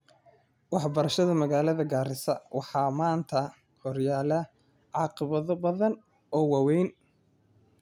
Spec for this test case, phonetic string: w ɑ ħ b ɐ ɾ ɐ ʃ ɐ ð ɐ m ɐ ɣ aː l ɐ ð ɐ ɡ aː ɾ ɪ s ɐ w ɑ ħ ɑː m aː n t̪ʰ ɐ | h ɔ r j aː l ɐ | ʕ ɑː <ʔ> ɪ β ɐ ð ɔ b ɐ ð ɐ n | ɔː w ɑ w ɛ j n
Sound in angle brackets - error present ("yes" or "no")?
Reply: yes